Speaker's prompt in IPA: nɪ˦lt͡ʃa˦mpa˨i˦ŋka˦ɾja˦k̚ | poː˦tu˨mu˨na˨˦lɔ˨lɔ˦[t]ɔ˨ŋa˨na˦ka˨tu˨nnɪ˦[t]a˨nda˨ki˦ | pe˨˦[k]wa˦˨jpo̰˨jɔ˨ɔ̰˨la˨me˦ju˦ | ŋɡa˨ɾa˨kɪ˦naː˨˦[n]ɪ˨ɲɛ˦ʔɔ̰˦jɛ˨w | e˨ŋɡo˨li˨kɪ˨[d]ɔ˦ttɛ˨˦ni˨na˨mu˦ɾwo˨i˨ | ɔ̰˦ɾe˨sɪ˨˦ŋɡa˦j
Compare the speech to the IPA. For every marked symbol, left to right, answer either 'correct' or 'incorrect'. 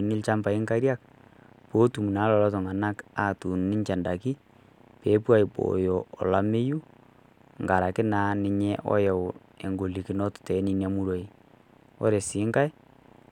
correct, incorrect, incorrect, correct, incorrect

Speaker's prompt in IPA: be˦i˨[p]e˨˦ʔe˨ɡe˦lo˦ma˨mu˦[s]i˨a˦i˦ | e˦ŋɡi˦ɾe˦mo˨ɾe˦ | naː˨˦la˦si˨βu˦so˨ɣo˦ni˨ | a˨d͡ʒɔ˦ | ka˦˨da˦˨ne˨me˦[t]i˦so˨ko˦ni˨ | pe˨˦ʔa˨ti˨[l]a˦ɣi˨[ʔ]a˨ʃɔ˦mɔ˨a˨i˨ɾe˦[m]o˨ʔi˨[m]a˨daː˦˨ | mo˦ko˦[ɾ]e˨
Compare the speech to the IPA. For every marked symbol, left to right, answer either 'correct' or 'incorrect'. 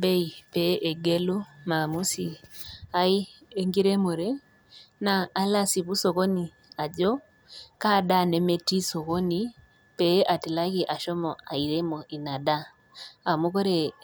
correct, correct, correct, correct, correct, correct, incorrect, correct

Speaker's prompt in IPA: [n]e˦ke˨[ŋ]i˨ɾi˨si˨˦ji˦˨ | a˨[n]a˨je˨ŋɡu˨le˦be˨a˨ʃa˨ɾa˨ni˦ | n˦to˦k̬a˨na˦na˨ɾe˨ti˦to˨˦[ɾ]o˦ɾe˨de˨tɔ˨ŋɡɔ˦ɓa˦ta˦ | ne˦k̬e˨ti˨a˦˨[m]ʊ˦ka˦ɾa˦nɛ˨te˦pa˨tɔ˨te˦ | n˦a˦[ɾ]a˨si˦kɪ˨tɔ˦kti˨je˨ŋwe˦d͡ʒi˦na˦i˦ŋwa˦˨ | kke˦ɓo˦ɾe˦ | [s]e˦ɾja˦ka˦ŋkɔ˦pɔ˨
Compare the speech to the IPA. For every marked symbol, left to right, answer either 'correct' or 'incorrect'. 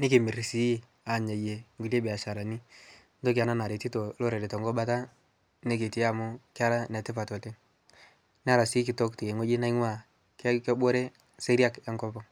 correct, incorrect, incorrect, incorrect, correct, correct, correct

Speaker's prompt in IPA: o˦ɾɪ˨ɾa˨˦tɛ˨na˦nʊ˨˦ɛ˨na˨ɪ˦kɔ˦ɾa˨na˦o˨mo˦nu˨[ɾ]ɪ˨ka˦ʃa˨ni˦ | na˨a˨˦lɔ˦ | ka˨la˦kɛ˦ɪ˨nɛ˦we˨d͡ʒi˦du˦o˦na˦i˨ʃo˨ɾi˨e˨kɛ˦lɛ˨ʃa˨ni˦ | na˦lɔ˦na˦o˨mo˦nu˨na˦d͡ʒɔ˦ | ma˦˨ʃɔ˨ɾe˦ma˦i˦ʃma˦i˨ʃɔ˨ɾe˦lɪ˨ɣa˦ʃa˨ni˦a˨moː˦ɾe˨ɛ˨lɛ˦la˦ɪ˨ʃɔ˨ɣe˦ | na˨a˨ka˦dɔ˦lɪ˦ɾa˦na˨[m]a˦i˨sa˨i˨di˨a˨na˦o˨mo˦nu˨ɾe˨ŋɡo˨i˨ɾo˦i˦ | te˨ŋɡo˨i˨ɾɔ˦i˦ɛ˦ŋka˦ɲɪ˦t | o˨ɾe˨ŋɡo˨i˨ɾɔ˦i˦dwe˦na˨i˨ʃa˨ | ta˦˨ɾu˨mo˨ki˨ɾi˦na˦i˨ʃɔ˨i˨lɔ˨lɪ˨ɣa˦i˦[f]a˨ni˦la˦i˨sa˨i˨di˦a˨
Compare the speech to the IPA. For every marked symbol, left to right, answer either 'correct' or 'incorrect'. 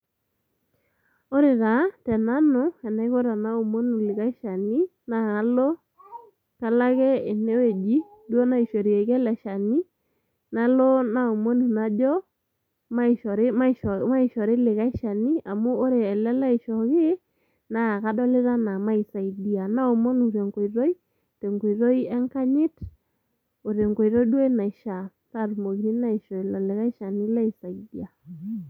incorrect, correct, incorrect

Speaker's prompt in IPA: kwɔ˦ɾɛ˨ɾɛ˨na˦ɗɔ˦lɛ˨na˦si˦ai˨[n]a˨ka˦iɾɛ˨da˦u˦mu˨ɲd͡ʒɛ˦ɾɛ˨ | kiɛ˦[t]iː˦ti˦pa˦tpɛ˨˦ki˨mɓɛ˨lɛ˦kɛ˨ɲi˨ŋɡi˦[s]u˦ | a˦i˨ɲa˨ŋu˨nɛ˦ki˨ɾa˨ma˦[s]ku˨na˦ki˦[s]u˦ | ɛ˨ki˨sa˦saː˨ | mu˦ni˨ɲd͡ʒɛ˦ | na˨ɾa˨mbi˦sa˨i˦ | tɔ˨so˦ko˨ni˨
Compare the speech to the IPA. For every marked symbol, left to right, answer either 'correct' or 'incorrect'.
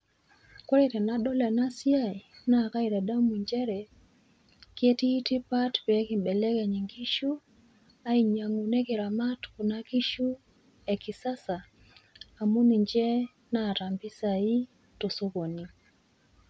correct, correct, incorrect, incorrect, incorrect

